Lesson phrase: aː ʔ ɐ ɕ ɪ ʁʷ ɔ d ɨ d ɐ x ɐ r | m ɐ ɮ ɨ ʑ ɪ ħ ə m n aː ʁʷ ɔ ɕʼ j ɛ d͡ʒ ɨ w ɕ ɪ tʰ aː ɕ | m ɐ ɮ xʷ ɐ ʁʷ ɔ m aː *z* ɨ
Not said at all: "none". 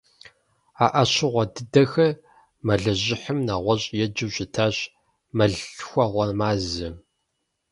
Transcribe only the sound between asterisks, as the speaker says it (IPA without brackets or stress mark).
z